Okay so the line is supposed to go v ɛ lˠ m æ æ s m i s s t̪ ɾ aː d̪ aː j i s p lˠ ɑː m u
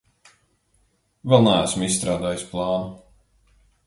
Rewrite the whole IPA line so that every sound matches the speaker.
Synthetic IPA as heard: v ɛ lˠ n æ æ s m i s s t̪ ɾ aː d̪ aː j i s p lˠ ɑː n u